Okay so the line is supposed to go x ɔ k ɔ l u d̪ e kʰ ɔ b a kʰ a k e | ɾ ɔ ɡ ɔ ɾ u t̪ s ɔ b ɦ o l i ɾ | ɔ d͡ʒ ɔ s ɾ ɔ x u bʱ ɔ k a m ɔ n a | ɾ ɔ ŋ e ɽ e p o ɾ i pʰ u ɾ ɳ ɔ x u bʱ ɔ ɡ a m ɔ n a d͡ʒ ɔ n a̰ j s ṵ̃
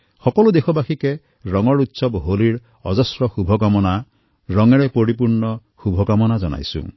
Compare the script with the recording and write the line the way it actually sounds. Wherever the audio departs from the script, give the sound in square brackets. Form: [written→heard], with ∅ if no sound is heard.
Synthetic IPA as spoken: x ɔ k ɔ l u d̪ e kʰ ɔ b a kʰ [a→i] k e | ɾ ɔ [ɡ→ŋ] ɔ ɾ u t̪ s ɔ b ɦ o l i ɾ | ɔ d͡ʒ ɔ s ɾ ɔ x u bʱ ɔ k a m ɔ n a | ɾ ɔ ŋ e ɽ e p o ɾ i [pʰ→p] u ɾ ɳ ɔ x u bʱ ɔ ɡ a m ɔ n a d͡ʒ ɔ n a̰ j s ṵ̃